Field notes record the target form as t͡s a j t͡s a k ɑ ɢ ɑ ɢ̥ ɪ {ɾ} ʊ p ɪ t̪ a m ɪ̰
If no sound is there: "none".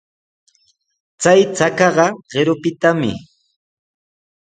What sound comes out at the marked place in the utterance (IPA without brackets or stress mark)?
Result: ɾ